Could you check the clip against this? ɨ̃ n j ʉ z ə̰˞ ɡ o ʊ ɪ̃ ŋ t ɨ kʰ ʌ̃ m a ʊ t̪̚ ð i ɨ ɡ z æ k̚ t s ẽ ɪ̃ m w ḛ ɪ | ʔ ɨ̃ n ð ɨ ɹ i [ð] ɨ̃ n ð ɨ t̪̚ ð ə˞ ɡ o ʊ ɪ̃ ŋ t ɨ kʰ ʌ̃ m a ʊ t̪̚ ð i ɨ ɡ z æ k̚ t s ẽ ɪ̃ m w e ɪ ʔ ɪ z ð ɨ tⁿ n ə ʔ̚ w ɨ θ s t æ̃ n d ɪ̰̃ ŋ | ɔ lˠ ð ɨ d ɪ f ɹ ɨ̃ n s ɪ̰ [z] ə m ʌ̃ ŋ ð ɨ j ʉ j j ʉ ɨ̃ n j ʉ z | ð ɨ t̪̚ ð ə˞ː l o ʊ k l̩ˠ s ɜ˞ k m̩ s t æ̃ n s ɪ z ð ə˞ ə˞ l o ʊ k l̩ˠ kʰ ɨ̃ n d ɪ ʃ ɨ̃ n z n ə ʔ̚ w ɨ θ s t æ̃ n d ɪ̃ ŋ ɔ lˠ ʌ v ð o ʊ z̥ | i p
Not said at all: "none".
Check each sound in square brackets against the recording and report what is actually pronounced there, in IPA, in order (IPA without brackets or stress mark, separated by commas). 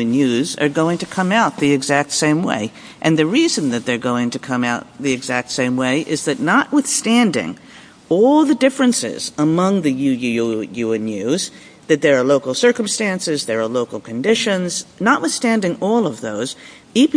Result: z, z